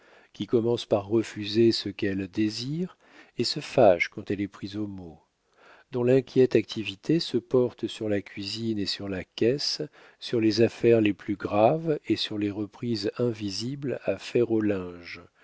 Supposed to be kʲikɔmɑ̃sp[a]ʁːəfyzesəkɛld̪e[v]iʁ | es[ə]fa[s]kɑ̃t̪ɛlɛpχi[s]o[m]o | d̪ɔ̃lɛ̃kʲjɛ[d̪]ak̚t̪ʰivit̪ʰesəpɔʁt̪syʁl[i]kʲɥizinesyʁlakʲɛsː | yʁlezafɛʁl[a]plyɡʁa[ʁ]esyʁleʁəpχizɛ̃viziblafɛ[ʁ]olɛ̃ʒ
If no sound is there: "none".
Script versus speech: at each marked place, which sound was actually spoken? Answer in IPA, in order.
a, z, ə, ʃ, z, m, t̪, a, e, v, ʁ

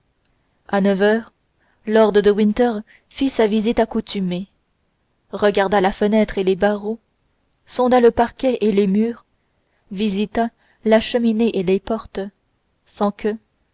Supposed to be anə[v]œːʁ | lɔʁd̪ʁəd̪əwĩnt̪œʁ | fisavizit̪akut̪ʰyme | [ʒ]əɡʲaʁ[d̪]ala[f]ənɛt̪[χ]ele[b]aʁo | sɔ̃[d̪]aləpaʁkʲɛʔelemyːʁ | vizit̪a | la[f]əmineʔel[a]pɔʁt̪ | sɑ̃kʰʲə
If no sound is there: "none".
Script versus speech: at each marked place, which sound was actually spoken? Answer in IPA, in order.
v, ʁ, d̪, f, χ, b, d̪, ʃ, e

